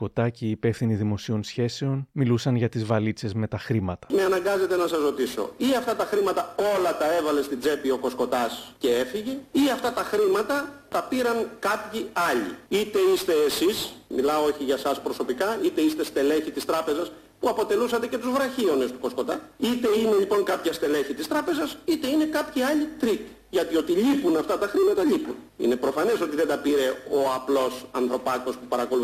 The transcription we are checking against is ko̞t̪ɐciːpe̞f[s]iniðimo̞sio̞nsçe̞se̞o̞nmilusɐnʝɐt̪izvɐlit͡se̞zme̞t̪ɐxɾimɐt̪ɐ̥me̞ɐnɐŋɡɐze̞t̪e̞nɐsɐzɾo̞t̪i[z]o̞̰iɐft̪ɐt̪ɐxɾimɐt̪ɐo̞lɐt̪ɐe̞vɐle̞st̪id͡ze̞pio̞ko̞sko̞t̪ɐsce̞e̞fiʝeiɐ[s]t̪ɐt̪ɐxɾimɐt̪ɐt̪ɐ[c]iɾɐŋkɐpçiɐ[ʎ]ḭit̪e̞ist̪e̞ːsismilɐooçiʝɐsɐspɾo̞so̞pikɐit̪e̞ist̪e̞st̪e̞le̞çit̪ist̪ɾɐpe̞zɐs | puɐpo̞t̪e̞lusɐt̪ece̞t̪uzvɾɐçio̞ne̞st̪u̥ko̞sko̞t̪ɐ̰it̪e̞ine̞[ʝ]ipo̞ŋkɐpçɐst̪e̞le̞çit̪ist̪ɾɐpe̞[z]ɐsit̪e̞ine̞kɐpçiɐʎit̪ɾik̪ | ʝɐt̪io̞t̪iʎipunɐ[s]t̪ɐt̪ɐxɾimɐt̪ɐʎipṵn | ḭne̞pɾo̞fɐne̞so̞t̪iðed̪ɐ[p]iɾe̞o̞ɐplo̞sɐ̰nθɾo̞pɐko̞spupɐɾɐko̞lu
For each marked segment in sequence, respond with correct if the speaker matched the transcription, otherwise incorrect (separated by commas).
incorrect, incorrect, incorrect, incorrect, correct, incorrect, correct, incorrect, correct